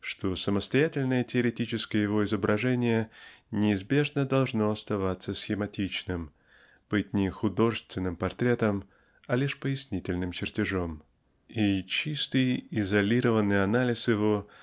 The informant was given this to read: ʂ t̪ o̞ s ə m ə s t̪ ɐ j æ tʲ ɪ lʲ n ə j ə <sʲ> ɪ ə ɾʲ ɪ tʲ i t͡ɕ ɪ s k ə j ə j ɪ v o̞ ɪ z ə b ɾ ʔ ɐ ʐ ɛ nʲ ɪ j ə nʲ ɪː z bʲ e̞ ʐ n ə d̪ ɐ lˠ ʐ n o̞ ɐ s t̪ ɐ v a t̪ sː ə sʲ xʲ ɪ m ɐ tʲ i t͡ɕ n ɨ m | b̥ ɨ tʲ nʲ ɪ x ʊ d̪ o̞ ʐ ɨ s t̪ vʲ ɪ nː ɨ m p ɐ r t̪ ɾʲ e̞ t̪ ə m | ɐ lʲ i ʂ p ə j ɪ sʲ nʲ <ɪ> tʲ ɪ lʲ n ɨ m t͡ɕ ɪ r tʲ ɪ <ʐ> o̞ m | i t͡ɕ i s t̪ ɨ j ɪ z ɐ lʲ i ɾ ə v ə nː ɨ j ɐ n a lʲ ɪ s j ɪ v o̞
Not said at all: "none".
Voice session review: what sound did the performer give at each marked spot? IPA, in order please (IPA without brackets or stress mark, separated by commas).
tʲ, i, ʐ